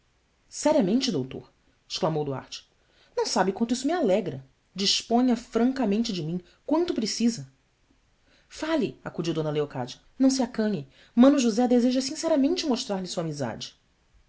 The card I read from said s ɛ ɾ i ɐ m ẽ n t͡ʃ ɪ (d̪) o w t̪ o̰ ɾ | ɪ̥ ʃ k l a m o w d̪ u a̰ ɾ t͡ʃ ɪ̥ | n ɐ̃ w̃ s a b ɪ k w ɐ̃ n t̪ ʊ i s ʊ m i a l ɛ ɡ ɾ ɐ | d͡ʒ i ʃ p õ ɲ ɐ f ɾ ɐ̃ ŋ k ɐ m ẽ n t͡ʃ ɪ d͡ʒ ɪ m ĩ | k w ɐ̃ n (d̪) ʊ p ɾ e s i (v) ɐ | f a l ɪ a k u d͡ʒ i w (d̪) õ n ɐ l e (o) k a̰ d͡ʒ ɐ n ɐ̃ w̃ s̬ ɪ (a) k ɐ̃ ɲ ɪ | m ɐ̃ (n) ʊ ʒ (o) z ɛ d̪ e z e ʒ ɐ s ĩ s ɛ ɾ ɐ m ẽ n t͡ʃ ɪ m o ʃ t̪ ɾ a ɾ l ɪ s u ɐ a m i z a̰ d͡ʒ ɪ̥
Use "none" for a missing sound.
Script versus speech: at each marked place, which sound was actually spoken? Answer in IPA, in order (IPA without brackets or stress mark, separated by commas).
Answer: d̪, t̪, z, d̪, o, a, n, u